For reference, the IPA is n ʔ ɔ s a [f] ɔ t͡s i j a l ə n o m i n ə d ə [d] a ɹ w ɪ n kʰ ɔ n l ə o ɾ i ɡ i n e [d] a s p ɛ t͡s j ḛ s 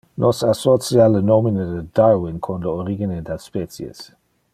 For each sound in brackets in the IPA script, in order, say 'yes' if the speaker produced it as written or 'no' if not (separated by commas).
no, yes, yes